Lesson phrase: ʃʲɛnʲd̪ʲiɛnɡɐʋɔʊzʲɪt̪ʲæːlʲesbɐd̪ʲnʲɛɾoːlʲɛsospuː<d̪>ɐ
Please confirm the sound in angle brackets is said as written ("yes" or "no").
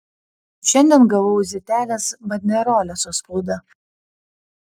yes